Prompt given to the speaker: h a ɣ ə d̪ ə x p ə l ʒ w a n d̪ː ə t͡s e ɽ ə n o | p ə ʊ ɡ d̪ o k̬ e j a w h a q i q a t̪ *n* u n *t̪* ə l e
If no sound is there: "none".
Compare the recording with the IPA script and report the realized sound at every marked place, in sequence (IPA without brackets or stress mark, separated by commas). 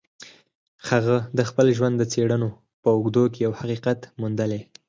m, d̪